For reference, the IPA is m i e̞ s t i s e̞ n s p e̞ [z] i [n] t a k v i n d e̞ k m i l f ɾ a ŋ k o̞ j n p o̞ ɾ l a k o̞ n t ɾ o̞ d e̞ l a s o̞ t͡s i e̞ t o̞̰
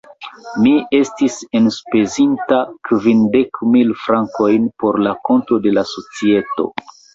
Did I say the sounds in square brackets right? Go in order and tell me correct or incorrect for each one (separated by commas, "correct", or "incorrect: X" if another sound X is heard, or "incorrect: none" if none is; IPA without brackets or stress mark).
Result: correct, correct